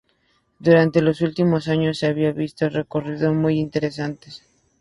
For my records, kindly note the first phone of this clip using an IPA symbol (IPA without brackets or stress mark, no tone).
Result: d̪